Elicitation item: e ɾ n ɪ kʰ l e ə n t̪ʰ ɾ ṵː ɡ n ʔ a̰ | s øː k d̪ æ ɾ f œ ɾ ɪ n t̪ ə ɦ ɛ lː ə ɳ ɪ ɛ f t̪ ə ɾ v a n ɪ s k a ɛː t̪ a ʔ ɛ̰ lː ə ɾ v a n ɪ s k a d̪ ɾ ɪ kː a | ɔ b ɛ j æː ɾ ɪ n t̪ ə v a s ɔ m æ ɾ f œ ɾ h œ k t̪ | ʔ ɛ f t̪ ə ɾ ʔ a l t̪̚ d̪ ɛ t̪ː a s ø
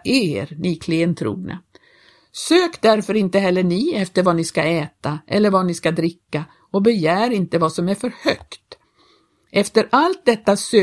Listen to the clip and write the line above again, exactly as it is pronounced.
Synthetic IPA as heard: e ɾ n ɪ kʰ l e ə n t̪ʰ ɾ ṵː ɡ n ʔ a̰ | s øː k d̪ æ ɾ f œ ɾ ɪ n t̪ ə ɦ ɛ lː ə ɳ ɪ ɛ f t̪ ə ɾ v a n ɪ s k a ɛː t̪ a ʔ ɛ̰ lː ə ɾ v a n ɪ s k a d̪ ɾ ɪ kː a | ɔ b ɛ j æː ɾ ɪ n t̪ ə v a s ɔ m æ ɾ f œ ɾ h œ k t̪ | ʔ ɛ f t̪ ə ɾ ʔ a l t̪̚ d̪ ɛ t̪ː a s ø